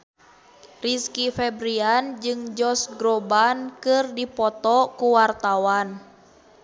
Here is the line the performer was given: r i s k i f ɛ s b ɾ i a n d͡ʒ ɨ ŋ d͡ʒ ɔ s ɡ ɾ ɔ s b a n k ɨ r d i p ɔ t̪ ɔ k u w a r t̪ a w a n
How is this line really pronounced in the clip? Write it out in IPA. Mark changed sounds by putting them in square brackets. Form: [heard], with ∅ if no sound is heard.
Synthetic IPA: r i s k i f ɛ [∅] b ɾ i a n d͡ʒ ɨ ŋ d͡ʒ ɔ s ɡ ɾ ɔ [∅] b a n k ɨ r d i p ɔ t̪ ɔ k u w a r t̪ a w a n